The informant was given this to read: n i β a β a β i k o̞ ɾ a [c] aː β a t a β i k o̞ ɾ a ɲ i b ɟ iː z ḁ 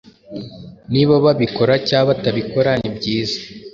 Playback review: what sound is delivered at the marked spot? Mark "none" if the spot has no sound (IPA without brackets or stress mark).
c